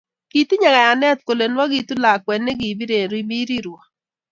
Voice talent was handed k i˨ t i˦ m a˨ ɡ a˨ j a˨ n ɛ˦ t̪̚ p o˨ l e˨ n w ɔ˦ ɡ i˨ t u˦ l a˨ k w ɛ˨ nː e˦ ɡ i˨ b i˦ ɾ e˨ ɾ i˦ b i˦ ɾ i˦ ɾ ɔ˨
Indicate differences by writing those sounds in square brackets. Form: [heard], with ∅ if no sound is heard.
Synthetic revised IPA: k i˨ t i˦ [ɲ] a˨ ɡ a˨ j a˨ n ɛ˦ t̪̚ [k] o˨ l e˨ n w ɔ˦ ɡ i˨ t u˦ l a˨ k w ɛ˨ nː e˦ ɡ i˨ b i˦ ɾ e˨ ɾ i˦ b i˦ ɾ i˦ ɾ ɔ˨